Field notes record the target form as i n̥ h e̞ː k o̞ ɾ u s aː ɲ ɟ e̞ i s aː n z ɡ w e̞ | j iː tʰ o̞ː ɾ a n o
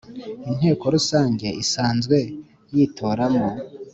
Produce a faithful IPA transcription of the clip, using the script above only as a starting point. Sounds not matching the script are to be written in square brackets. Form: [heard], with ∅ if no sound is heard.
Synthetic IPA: i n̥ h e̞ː k o̞ ɾ u s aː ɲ ɟ e̞ i s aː n z ɡ w e̞ | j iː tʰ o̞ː ɾ a [m] o